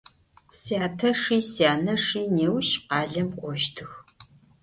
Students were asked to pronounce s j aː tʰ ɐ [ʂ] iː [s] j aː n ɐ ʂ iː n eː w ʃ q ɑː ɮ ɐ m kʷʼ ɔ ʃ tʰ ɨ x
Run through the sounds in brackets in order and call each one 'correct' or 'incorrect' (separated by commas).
correct, correct